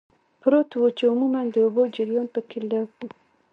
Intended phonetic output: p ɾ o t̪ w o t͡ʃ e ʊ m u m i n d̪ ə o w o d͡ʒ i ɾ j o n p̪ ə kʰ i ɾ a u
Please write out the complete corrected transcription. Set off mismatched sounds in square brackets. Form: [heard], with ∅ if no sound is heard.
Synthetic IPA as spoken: p ɾ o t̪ w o t͡ʃ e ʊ m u m [a] n d̪ ə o [b] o d͡ʒ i ɾ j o n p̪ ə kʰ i [l] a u